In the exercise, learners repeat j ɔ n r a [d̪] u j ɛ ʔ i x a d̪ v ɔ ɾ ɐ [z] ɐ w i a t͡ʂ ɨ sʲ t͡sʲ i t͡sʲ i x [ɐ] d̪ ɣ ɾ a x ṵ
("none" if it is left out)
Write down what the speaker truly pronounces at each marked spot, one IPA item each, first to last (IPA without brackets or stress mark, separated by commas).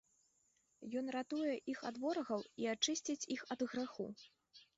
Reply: t̪, ɣ, ɐ